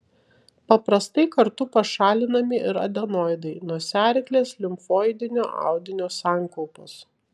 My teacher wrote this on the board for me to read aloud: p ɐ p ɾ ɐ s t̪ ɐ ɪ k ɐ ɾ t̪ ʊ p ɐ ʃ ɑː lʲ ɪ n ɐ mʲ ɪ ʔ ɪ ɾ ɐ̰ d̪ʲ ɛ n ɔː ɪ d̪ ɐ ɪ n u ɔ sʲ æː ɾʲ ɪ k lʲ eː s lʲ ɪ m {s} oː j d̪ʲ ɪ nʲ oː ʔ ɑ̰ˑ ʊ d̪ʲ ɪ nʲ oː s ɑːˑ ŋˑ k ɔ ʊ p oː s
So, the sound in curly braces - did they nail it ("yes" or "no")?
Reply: no